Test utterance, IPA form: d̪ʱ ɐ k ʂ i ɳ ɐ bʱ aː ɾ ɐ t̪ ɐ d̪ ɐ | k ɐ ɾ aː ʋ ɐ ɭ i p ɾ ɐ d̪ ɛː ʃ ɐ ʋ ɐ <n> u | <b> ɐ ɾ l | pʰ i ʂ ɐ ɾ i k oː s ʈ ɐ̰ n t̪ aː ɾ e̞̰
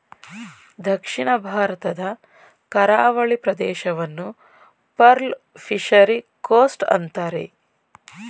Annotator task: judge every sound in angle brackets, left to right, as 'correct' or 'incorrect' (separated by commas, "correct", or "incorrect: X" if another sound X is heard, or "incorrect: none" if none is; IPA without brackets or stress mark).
incorrect: nː, incorrect: p